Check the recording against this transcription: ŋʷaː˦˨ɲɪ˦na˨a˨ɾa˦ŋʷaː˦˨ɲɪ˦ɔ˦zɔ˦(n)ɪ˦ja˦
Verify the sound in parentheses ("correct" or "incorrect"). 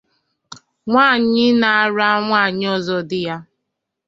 incorrect